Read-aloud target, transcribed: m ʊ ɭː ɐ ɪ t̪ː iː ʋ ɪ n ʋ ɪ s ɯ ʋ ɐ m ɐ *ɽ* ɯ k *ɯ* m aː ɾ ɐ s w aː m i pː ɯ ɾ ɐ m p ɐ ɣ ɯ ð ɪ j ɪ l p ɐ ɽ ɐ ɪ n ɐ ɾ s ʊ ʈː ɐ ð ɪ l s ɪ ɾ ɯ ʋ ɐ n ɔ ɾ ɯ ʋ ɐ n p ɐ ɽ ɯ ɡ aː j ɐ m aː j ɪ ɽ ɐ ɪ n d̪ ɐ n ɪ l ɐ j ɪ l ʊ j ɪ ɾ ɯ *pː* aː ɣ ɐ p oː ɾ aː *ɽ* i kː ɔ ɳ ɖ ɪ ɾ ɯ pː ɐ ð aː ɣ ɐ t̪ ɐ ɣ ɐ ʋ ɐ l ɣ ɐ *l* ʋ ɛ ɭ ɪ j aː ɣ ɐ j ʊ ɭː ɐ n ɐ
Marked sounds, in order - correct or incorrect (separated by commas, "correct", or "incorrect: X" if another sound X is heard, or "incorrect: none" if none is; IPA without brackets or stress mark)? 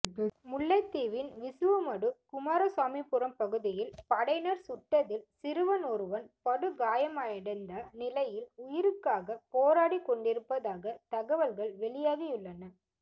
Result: correct, incorrect: ʊ, incorrect: kː, correct, incorrect: ɭ